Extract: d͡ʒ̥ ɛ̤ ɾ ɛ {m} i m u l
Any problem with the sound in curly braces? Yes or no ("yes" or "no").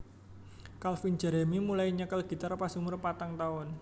no